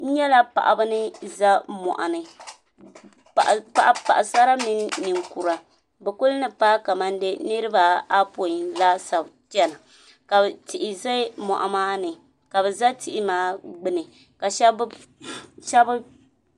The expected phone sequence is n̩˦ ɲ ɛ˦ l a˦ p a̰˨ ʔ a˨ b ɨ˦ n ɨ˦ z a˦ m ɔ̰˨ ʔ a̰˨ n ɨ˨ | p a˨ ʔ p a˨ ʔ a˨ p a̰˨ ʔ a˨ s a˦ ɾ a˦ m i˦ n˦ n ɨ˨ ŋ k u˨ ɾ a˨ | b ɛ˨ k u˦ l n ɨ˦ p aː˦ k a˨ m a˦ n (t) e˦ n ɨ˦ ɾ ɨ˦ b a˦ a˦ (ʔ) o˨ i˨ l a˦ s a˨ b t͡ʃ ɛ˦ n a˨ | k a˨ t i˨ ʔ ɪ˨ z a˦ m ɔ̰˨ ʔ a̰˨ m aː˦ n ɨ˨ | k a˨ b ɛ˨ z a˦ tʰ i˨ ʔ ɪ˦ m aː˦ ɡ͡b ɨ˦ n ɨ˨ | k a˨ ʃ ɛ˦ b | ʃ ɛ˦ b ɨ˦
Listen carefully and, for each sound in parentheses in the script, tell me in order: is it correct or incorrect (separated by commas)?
incorrect, incorrect